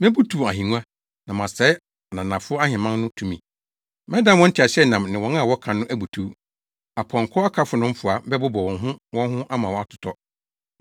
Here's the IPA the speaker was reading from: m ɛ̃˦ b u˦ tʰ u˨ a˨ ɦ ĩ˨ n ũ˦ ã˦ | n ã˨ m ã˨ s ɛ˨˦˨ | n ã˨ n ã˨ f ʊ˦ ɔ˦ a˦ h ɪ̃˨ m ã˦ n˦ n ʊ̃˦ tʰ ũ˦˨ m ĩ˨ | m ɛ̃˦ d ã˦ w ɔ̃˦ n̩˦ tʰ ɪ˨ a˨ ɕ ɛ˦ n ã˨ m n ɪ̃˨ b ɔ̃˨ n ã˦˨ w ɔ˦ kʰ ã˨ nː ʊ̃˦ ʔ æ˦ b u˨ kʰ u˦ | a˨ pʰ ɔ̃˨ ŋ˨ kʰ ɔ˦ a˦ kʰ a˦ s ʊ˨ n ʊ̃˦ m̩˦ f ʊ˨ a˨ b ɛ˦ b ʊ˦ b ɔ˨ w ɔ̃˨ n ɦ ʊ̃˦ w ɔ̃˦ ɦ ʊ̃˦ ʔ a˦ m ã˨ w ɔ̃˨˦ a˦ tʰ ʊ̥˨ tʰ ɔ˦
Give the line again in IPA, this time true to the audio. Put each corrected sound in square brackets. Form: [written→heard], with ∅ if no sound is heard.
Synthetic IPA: m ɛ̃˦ b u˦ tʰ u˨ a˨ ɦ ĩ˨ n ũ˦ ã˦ | n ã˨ m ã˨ s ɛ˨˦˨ | n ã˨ n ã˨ f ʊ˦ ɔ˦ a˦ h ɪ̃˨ m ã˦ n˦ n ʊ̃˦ tʰ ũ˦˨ m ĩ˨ | m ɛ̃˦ d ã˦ w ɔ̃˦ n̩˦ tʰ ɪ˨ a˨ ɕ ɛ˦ n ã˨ m n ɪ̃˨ [b→w] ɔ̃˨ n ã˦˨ w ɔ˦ kʰ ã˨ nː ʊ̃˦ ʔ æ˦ b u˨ [kʰ→tʰ] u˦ | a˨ pʰ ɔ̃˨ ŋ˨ kʰ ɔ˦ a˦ kʰ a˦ [s→f] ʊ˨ n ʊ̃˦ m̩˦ f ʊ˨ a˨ b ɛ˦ b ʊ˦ b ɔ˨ w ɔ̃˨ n ɦ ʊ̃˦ w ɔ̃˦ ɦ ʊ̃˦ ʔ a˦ m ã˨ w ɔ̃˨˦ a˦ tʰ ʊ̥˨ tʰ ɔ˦